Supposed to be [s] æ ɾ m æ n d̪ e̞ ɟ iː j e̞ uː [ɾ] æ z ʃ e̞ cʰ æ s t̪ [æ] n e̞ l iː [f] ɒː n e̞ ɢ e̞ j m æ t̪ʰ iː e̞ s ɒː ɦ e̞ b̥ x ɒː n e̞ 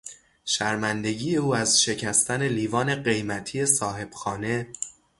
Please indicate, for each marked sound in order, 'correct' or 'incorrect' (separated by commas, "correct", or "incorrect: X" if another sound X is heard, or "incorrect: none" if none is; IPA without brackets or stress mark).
incorrect: ʃ, incorrect: none, correct, incorrect: v